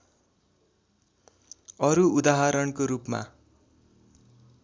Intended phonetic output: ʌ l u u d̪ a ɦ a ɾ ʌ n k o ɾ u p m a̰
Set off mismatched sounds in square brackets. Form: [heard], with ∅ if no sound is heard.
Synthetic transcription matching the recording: ʌ [ɾ] u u d̪ a ɦ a ɾ ʌ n k o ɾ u p m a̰